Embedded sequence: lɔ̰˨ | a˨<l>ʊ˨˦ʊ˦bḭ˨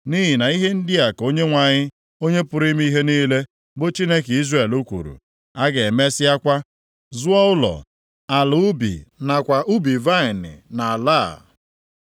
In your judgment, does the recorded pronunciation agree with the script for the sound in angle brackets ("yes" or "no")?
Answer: yes